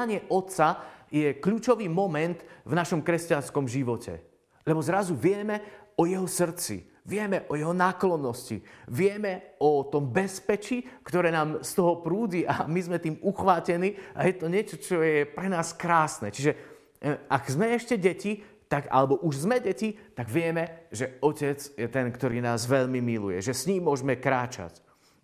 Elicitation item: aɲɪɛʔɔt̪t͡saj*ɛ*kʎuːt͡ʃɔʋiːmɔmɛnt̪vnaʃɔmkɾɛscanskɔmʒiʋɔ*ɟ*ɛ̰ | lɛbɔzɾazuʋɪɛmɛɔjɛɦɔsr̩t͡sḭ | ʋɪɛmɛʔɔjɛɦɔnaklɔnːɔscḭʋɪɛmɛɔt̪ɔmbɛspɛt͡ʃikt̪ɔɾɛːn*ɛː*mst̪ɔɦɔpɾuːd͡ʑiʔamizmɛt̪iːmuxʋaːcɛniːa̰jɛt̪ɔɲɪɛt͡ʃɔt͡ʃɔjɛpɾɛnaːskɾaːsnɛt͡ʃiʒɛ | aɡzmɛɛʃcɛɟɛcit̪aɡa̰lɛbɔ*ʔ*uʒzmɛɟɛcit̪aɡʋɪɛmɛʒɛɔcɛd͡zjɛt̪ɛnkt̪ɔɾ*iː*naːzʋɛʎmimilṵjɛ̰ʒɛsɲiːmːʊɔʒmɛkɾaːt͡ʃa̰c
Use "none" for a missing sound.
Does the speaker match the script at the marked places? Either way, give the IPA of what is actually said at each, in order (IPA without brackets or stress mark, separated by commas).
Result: ɛ, c, aː, ʔ, iː